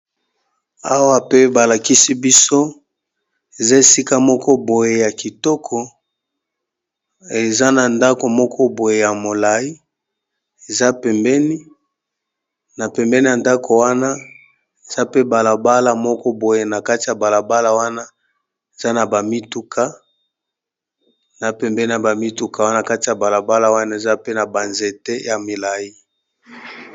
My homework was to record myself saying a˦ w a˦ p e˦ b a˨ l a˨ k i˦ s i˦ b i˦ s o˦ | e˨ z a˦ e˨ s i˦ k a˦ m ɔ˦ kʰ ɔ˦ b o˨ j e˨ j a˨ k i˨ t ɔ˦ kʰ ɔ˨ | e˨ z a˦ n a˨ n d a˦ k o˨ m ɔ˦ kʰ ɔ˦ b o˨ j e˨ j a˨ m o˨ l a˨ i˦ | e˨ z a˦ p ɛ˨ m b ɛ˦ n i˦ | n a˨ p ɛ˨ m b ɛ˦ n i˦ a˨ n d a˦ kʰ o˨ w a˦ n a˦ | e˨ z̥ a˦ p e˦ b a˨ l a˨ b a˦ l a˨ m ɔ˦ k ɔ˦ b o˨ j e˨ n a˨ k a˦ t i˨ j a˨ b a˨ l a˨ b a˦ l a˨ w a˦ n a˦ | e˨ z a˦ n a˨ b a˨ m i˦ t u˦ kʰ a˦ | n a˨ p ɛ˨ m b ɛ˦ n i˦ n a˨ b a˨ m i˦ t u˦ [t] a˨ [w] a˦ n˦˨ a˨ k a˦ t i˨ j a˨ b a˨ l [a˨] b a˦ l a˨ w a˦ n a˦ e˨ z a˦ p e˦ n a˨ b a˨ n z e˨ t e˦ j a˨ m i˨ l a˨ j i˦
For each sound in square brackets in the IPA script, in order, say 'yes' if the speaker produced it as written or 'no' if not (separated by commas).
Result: no, yes, yes